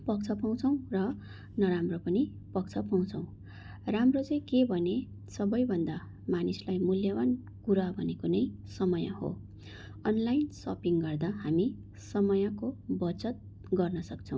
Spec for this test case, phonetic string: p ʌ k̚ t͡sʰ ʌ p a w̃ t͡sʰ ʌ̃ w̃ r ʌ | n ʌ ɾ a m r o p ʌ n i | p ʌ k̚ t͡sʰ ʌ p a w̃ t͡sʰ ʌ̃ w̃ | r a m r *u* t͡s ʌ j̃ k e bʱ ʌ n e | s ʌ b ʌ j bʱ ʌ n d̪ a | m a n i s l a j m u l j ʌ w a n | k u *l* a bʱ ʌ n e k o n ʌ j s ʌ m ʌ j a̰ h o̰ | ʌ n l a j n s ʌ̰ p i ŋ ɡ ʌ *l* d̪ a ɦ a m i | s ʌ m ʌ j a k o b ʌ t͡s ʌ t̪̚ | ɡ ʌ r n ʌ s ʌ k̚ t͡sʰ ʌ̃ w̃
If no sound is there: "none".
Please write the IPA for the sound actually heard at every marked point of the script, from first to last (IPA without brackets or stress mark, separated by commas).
o, ɾ, r